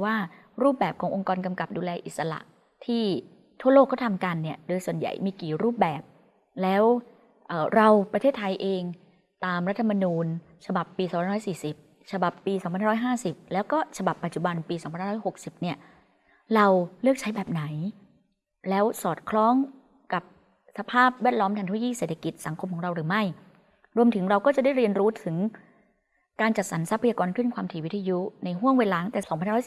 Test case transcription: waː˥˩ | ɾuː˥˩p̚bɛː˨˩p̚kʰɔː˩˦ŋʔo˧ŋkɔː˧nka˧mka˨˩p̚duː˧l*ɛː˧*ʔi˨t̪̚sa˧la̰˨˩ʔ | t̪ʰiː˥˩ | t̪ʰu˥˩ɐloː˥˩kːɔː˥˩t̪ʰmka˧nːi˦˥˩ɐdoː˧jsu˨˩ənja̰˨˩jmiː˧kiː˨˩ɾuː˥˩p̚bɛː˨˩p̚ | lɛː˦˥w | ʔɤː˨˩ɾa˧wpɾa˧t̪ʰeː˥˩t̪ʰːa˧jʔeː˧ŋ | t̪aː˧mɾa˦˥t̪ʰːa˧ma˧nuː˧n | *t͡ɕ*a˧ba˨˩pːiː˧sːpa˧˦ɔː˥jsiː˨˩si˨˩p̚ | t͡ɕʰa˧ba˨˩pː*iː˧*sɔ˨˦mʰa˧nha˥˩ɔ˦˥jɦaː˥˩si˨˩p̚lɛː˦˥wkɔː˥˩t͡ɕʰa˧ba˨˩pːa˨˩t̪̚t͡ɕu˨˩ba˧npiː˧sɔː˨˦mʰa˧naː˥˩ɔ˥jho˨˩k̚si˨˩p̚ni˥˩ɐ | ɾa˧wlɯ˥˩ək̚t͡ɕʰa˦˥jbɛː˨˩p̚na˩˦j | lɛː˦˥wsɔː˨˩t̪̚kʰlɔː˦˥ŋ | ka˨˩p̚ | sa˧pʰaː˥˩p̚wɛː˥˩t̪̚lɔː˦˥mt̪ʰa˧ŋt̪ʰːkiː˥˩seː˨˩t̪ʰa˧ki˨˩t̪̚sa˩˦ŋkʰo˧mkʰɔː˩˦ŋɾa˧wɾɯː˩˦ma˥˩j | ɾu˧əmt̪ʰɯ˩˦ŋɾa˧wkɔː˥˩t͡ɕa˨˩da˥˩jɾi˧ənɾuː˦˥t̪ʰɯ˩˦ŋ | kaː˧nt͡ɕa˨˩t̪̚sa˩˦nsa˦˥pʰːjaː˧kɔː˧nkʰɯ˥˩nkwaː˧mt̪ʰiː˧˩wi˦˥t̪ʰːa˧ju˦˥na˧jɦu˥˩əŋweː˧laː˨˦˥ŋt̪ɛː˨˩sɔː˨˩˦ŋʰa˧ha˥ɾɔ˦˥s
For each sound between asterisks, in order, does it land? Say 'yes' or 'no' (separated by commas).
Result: yes, no, yes